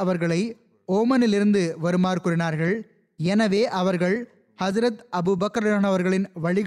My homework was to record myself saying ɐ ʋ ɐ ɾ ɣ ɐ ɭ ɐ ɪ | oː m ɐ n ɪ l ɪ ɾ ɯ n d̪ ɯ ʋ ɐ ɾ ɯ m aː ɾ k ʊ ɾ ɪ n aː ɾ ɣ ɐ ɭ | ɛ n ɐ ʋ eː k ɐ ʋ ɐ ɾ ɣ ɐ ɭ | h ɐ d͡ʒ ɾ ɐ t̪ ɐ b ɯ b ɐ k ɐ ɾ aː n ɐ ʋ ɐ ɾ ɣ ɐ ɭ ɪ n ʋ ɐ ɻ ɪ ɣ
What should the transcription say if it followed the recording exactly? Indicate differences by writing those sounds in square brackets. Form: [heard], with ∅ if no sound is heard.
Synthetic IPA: ɐ ʋ ɐ ɾ ɣ ɐ ɭ ɐ ɪ | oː m ɐ n ɪ l ɪ ɾ ɯ n d̪ ɯ ʋ ɐ ɾ ɯ m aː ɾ k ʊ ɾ ɪ n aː ɾ ɣ ɐ ɭ | ɛ n ɐ ʋ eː [ʔ] ɐ ʋ ɐ ɾ ɣ ɐ ɭ | h ɐ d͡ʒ ɾ ɐ t̪ ɐ b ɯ b ɐ k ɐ ɾ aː n ɐ ʋ ɐ ɾ ɣ ɐ ɭ ɪ n ʋ ɐ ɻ ɪ ɣ